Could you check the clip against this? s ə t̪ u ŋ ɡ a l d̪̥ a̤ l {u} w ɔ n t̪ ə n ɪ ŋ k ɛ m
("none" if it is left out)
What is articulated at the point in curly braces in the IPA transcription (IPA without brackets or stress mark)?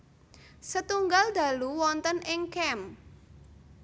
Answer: u